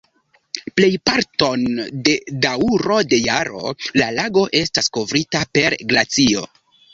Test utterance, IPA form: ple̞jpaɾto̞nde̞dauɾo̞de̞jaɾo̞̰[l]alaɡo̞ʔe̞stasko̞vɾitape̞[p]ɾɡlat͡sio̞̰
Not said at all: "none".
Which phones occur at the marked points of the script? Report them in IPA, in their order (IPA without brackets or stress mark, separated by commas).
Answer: l, none